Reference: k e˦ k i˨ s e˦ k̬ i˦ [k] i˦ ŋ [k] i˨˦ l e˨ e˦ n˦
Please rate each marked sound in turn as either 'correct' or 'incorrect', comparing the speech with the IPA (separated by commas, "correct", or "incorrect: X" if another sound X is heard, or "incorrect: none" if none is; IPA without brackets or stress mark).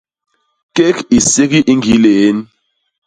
incorrect: ʔ, incorrect: ɡ